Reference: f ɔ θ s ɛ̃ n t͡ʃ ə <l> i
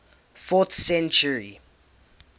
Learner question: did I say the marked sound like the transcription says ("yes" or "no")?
no